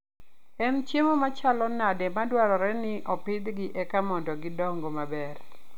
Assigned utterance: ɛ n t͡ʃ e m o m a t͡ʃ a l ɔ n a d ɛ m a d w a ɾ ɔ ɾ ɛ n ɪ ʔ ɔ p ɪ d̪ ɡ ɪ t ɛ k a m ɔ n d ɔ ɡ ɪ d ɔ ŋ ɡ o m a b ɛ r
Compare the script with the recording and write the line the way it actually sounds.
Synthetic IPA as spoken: ɛ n t͡ʃ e m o m a t͡ʃ a l ɔ n a d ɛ m a d w a ɾ ɔ ɾ ɛ n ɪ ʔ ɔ p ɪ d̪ ɡ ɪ ʔ ɛ k a m ɔ n d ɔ ɡ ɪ d ɔ ŋ ɡ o m a b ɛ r